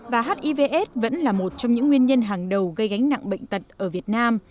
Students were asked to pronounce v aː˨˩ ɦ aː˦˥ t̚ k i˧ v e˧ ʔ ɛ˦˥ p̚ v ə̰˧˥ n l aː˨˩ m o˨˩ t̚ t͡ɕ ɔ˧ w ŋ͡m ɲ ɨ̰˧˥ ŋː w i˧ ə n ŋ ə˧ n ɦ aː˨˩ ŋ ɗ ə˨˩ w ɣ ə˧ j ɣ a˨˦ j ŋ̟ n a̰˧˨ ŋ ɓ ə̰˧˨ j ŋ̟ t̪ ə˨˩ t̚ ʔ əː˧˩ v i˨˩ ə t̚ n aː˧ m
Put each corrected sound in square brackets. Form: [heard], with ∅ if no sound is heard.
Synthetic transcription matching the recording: v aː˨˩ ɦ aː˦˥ t̚ [ʔ] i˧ v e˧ ʔ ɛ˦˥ [t̚] v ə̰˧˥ n l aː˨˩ m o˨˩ t̚ t͡ɕ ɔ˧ w ŋ͡m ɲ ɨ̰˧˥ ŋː w i˧ ə n [ɲ] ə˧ n ɦ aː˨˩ ŋ ɗ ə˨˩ w ɣ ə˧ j ɣ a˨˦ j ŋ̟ n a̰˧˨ ŋ ɓ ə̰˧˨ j ŋ̟ t̪ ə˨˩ t̚ ʔ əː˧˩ v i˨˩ ə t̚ n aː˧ m